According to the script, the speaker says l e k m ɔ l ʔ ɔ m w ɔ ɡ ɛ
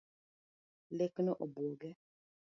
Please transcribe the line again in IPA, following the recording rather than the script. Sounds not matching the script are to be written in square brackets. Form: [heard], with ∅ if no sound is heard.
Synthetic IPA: l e k [n] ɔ [∅] ʔ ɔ [b] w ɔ ɡ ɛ